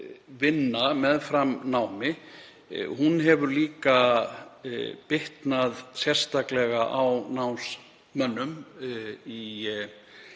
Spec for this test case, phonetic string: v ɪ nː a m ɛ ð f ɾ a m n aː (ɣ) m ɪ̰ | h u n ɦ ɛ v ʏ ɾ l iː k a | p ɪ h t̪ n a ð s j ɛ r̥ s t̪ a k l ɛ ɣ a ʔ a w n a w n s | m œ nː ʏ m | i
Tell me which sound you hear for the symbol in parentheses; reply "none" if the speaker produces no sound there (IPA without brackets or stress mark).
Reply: w